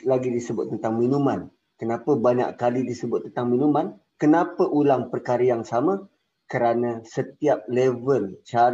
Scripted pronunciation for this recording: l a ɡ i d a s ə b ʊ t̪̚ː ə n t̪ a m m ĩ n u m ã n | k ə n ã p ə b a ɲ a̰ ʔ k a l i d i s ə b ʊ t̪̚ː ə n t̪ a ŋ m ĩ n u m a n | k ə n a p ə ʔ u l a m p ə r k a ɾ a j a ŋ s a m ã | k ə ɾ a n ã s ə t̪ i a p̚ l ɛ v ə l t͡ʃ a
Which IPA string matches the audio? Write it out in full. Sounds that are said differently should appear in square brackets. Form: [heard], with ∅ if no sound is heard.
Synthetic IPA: l a ɡ i d [i] s ə b ʊ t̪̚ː ə n t̪ a [ŋ] m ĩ n u m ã n | k ə n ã p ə b a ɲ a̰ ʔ k a l i d i s ə b ʊ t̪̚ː ə n t̪ a ŋ m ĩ n u m a n | k ə n a p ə ʔ u l a [ŋ] p ə r k a ɾ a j a ŋ s a m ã | k ə ɾ a n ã s ə t̪ i a p̚ l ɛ v ə l t͡ʃ a